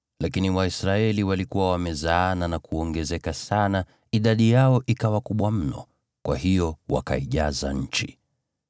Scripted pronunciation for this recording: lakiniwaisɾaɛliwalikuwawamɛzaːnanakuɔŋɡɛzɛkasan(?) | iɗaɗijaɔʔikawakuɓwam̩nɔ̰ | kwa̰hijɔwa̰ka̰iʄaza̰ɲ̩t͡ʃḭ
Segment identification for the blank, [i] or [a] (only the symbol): a